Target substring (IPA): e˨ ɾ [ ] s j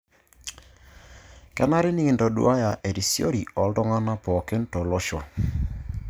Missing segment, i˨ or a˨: i˨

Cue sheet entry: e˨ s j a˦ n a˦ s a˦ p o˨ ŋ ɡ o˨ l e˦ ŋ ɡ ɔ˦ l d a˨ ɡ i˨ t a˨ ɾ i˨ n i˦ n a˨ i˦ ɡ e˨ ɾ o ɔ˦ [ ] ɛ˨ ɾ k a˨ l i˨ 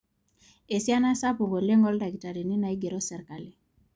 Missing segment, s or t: s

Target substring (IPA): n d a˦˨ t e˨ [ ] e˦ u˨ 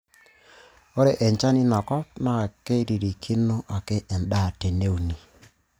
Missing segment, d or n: n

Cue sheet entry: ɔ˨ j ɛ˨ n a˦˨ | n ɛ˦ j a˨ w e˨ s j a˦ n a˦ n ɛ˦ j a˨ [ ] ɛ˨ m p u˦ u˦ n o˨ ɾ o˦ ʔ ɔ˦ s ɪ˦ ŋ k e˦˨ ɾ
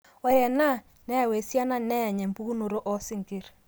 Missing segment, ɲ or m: ɲ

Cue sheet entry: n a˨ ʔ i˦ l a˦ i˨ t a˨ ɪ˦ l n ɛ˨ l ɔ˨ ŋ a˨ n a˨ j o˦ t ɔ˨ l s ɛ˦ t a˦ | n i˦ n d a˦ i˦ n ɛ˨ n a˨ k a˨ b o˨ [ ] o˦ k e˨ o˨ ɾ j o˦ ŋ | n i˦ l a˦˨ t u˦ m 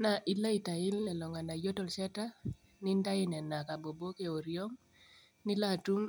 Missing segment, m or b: b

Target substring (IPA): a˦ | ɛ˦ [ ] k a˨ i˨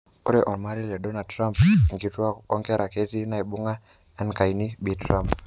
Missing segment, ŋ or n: n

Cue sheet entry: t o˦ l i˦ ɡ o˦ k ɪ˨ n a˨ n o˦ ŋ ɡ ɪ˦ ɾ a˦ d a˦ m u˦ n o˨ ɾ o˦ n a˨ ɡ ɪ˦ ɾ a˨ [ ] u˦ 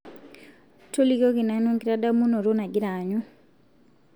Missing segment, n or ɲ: ɲ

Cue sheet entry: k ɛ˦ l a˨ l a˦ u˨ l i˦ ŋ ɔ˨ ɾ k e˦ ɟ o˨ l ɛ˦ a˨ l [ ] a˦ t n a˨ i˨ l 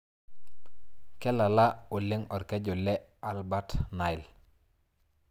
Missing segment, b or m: b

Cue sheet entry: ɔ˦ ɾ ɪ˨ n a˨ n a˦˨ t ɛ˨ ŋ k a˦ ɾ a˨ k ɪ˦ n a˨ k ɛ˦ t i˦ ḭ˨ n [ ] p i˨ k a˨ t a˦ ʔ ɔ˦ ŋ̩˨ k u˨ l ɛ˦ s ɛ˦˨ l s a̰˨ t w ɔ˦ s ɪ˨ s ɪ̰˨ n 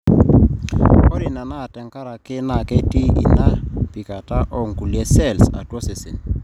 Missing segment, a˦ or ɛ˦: a˦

